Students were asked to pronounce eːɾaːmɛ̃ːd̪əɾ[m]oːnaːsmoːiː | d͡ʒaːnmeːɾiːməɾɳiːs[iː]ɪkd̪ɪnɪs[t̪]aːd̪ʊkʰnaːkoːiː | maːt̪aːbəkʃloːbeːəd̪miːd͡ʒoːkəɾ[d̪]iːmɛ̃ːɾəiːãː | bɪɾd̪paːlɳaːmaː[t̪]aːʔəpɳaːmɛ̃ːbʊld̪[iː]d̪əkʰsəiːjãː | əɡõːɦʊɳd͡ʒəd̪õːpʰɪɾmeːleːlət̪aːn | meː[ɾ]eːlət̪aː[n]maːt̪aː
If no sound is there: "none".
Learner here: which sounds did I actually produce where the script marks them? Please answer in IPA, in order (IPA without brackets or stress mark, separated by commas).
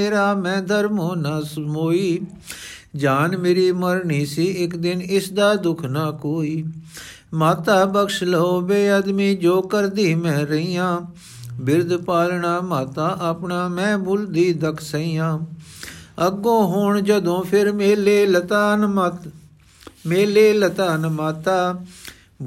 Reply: m, iː, d̪, d̪, t̪, iː, l, n